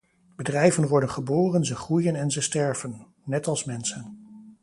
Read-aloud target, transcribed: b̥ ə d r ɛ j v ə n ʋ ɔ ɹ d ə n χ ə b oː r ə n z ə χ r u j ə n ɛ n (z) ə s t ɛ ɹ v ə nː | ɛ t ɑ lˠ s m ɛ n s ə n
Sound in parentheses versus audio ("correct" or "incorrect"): correct